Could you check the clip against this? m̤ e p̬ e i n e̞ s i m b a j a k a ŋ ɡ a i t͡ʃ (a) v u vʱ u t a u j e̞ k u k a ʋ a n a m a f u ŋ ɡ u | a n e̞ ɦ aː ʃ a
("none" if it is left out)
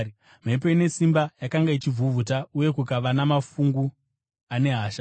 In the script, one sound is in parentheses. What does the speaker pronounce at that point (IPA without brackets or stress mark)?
i